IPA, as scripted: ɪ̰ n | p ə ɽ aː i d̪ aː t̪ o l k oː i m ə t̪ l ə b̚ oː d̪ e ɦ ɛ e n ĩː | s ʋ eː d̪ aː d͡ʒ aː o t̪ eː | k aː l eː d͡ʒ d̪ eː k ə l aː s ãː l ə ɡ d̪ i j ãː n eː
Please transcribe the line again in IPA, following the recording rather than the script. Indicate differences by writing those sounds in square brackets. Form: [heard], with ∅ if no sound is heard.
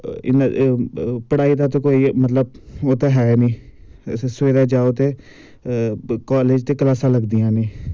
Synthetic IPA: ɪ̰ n | p ə ɽ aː i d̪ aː t̪ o [∅] k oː i m ə t̪ l ə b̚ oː [t̪] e ɦ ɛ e n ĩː | s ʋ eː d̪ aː d͡ʒ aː o t̪ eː | k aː l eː d͡ʒ [t̪] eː k ə l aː s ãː l ə ɡ d̪ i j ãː n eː